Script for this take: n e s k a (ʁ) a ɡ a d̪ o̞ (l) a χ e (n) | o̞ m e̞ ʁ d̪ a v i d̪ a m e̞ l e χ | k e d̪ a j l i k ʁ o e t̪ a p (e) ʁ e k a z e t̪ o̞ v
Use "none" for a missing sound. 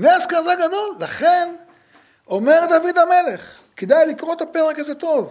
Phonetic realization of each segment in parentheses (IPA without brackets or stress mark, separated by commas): z, lː, n, e